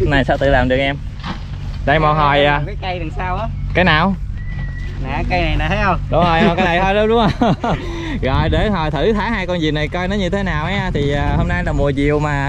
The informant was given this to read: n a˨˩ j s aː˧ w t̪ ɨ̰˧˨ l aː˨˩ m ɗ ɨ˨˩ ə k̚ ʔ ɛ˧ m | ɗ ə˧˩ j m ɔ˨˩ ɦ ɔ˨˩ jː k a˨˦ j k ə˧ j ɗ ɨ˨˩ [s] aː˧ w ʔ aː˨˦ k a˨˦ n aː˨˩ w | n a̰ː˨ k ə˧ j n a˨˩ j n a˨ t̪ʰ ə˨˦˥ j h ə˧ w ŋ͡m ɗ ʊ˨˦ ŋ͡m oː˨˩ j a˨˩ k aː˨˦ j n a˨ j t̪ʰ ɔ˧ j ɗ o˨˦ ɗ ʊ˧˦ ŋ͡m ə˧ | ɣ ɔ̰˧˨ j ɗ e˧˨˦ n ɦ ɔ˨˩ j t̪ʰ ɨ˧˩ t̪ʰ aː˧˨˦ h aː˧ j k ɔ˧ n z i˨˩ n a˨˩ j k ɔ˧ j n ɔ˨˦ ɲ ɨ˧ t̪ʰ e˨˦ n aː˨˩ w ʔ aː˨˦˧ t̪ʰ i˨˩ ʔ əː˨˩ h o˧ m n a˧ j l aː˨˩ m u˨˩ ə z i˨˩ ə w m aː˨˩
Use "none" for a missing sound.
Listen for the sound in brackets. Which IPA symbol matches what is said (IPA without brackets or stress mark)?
s